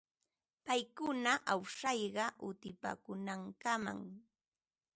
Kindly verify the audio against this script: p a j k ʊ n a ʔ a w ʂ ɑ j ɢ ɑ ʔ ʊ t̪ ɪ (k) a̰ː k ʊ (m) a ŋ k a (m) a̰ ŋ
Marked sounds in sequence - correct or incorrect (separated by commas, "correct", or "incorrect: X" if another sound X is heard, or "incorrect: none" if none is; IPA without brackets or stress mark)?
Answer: incorrect: p, incorrect: n, correct